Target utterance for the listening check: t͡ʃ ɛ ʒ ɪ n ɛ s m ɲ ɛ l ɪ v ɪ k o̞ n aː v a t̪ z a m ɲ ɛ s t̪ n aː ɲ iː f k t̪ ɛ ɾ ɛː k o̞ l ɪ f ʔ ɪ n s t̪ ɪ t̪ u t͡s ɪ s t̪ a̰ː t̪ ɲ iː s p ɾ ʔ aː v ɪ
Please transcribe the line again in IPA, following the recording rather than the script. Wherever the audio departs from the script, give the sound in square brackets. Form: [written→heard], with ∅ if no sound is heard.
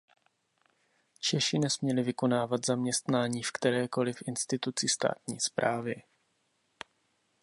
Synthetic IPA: t͡ʃ ɛ [ʒ→ʃ] ɪ n ɛ s m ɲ ɛ l ɪ v ɪ k o̞ n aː v a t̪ z a m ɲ ɛ s t̪ n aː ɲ iː f k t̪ ɛ ɾ ɛː k o̞ l ɪ f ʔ ɪ n s t̪ ɪ t̪ u t͡s ɪ s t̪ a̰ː t̪ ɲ iː s p ɾ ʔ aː v ɪ